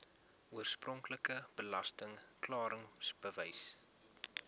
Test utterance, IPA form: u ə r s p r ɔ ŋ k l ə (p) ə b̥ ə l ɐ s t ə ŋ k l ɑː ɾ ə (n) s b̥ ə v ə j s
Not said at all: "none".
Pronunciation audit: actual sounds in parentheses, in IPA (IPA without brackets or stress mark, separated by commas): k, ŋ